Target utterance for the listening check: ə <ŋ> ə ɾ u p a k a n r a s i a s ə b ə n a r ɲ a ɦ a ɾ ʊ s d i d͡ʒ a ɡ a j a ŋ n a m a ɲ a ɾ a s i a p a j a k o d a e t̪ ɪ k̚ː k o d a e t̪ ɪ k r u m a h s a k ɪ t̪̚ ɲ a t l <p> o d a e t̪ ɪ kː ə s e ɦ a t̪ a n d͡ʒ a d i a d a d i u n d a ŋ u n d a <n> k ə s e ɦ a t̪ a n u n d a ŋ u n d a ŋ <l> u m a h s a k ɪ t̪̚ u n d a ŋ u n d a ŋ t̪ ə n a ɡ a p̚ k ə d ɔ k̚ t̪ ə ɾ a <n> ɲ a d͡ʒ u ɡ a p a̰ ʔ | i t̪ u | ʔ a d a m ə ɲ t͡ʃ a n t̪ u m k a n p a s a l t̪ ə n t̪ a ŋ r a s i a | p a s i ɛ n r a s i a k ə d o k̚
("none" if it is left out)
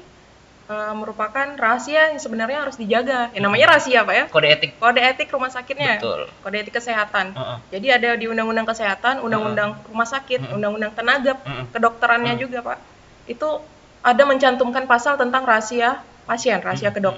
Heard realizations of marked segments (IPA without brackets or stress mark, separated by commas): m, k, ŋ, r, n